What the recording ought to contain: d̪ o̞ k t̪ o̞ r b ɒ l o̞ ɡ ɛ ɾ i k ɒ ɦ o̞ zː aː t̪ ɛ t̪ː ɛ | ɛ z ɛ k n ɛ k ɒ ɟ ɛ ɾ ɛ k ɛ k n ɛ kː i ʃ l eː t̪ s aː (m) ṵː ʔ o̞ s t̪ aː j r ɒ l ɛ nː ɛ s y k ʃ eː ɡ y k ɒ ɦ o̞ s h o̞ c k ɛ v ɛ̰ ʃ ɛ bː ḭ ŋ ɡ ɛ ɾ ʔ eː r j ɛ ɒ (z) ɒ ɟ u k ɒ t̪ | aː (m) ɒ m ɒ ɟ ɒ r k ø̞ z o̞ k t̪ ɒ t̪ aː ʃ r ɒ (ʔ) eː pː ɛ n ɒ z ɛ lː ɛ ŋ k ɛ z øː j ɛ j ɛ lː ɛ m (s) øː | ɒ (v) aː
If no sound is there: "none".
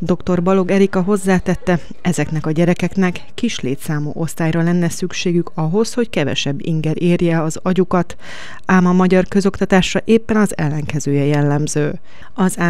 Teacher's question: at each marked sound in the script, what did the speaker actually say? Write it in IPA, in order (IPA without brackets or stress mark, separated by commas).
m, z, m, ʔ, z, z